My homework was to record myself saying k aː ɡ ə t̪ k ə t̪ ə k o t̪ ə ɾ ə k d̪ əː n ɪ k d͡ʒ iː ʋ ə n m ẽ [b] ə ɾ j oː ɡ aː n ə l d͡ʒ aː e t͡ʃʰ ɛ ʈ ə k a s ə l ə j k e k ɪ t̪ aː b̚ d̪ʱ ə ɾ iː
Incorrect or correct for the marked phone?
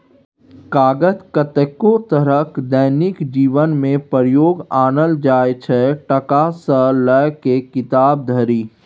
incorrect: p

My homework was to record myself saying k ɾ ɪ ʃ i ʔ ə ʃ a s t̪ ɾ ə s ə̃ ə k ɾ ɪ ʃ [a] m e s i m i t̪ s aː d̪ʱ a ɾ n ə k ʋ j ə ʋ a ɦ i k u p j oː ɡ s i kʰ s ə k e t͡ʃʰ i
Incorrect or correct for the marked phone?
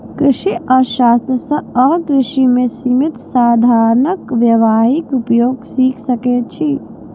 incorrect: i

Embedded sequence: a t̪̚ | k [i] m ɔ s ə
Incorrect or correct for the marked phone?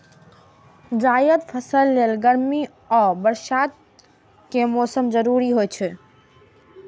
incorrect: e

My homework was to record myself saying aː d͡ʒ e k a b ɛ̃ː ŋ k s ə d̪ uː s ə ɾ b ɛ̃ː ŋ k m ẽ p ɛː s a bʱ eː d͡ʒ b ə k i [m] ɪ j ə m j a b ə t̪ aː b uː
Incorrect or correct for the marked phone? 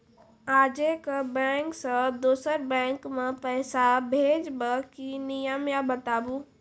incorrect: n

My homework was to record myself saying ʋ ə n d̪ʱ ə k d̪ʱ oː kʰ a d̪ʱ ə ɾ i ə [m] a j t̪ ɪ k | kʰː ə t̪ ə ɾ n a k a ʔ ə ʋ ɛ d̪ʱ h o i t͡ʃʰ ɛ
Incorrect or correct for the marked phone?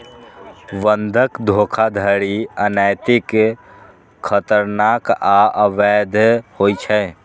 incorrect: n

